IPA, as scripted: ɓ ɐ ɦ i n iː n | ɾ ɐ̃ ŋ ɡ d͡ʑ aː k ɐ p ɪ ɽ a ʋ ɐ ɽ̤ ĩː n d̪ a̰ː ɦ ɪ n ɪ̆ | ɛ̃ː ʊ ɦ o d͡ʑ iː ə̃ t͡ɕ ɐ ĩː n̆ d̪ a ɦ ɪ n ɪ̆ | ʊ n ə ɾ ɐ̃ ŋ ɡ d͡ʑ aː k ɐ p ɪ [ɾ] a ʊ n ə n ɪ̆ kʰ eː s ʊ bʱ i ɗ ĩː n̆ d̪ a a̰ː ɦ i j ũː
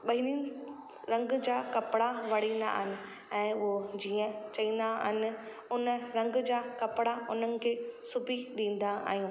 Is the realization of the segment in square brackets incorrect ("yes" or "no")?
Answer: yes